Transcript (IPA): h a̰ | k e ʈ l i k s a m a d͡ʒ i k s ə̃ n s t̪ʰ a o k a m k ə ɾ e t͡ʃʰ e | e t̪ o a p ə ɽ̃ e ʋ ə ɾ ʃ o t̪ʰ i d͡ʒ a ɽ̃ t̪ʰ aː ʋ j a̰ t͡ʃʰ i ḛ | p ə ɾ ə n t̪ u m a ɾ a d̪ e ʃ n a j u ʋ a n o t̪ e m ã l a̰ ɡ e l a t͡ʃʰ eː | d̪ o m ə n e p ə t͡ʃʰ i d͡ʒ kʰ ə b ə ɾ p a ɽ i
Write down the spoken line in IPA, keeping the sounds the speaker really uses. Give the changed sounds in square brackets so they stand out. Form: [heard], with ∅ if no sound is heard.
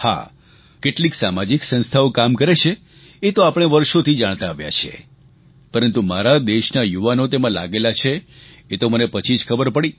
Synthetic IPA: h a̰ | k e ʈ l i k s a m a d͡ʒ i k s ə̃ n s t̪ʰ a o k a m k ə ɾ e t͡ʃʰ e | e t̪ o a p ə ɽ̃ e ʋ ə ɾ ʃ o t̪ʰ i d͡ʒ a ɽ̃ [t̪] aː ʋ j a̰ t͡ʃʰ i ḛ | p ə ɾ ə n t̪ u m a ɾ a d̪ e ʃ n a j u ʋ a n o t̪ e m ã l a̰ ɡ e l a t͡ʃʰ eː | [t̪] o m ə n e p ə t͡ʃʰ i d͡ʒ kʰ ə b ə ɾ p [ə] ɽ i

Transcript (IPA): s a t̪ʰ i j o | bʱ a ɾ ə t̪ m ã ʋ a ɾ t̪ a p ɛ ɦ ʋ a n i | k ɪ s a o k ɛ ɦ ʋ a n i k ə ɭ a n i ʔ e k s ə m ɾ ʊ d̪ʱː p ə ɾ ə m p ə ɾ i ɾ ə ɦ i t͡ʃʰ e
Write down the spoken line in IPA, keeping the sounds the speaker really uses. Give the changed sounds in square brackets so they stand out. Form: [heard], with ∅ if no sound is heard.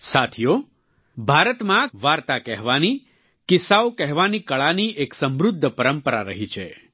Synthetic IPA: s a t̪ʰ i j o | bʱ a ɾ ə t̪ m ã ʋ a ɾ t̪ a [k] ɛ ɦ ʋ a n i | k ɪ s a o k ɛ ɦ ʋ a n i k ə ɭ a n i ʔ e k s ə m ɾ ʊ d̪ʱː p ə ɾ ə m p ə ɾ [a] ɾ ə ɦ i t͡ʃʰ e

